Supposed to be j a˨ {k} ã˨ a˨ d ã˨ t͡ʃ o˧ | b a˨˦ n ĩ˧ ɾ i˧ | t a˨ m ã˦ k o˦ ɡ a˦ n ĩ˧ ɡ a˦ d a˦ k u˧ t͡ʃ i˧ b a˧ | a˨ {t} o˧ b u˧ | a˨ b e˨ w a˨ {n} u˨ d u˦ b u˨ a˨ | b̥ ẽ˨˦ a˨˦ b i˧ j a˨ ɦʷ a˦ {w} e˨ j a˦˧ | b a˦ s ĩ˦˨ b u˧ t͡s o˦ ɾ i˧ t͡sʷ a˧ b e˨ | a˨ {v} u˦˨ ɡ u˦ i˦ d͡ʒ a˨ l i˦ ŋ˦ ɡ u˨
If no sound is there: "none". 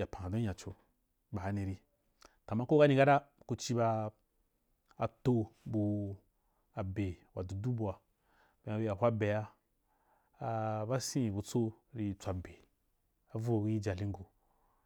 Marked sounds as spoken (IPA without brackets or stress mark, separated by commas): p, t, d, b, v